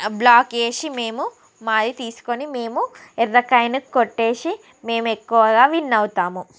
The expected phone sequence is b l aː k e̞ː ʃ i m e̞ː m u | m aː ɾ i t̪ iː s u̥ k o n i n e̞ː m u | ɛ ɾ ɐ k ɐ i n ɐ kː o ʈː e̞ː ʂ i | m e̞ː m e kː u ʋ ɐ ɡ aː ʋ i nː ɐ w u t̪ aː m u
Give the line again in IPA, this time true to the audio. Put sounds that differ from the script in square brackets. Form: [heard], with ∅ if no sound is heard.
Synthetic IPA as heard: b l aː k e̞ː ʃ i m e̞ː m u | m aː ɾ i t̪ iː s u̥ k o n i [m] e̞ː m u | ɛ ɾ ɐ k ɐ [j] n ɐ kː o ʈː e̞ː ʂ i | m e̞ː m e kː u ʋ ɐ ɡ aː ʋ i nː ɐ w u t̪ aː m u